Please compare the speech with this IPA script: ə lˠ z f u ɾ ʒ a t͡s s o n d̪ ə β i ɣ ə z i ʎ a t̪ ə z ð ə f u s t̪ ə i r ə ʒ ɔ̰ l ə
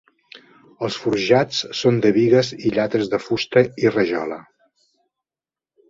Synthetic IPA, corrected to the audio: ə lˠ s f u ɾ ʒ a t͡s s o n d̪ ə β i ɣ ə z i ʎ a t̪ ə z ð ə f u s t̪ ə i r ə ʒ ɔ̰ l ə